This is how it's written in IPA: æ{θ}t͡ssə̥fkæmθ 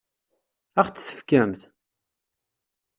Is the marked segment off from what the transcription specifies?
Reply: yes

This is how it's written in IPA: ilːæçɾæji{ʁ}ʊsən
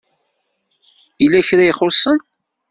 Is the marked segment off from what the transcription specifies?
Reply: yes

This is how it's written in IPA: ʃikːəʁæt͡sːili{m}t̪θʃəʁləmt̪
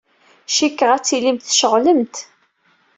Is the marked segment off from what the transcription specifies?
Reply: no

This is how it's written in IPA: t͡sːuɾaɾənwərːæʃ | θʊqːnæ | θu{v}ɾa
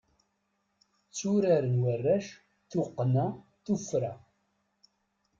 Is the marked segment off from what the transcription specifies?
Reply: yes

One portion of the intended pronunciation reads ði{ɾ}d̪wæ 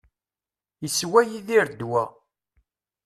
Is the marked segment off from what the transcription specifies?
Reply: no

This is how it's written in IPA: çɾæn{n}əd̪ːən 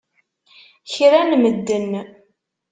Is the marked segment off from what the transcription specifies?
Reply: yes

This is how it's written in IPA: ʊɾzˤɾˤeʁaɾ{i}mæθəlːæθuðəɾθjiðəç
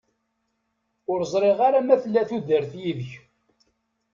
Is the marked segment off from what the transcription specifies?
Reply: yes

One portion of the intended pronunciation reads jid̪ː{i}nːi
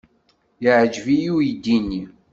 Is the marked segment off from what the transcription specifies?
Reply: no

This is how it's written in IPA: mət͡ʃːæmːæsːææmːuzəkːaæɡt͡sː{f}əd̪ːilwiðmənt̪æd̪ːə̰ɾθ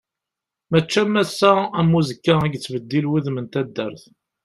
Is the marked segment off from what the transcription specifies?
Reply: yes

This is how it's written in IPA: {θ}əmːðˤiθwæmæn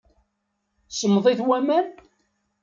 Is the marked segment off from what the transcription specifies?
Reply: yes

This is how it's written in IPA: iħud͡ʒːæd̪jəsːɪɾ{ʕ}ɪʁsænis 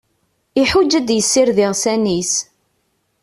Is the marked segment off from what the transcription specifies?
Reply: yes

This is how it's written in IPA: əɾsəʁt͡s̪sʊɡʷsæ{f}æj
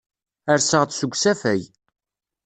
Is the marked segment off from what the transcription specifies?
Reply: no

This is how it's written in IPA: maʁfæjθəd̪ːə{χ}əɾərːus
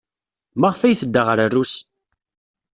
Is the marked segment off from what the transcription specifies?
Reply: yes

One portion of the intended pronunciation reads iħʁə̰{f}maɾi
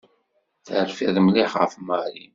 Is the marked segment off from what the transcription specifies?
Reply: no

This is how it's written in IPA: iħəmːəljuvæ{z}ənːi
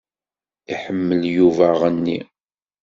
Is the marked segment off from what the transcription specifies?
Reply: yes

